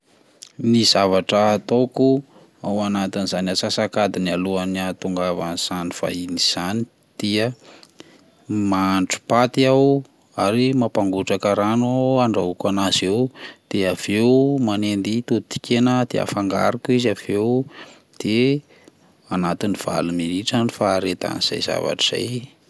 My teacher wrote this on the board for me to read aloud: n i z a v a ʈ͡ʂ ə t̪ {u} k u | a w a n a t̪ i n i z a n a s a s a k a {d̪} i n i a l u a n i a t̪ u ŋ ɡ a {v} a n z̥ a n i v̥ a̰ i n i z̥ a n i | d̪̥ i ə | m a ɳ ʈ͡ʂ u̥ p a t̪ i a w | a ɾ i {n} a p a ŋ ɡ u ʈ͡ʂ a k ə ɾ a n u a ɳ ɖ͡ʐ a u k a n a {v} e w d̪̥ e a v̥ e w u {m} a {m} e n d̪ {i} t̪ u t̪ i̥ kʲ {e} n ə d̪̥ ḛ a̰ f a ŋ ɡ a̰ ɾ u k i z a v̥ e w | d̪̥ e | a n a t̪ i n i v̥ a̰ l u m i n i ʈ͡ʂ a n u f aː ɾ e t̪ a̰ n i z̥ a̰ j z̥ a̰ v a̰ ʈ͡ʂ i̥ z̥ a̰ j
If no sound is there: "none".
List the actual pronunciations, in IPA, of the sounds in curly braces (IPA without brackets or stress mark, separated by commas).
o, d̪, v, m, z, m, n, i, e